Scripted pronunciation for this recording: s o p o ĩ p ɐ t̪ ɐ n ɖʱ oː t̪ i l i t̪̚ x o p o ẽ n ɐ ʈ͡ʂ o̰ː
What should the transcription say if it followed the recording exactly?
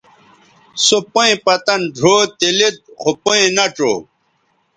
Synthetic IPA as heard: s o p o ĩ p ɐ t̪ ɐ n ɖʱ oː t̪ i l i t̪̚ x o p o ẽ n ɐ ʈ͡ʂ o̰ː